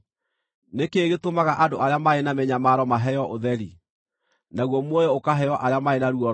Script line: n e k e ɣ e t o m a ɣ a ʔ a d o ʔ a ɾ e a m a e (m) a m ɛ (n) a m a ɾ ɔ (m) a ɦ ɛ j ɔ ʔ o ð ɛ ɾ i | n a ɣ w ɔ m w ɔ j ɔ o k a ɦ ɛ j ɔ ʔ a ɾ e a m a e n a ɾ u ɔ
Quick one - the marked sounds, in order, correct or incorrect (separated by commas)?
incorrect, incorrect, correct